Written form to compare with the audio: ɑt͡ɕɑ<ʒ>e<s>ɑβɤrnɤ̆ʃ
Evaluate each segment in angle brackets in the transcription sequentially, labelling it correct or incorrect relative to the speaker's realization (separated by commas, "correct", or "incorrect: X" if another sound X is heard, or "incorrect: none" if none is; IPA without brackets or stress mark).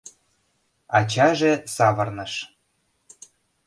correct, correct